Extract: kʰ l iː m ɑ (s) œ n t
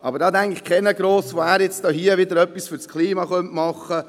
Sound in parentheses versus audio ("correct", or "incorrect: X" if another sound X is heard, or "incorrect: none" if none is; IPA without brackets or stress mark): incorrect: χ